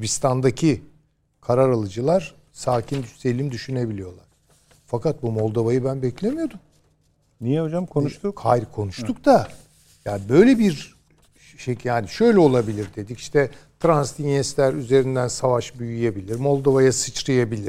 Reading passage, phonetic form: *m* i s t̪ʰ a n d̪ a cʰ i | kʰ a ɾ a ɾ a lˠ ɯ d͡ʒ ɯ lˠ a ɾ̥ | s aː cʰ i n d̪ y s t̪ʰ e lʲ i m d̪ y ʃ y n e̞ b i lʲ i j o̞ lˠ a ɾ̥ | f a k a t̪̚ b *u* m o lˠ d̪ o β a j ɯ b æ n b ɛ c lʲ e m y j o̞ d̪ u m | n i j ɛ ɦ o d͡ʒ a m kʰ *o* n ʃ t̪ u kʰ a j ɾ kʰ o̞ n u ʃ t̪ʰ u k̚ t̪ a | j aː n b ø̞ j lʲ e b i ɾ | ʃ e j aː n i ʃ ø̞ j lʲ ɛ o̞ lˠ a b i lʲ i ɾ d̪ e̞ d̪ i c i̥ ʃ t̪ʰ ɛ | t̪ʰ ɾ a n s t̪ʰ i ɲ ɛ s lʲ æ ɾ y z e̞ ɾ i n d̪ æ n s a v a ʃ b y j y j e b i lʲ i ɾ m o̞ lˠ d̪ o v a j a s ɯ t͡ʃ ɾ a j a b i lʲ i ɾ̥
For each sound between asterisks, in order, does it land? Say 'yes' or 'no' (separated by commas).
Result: no, yes, yes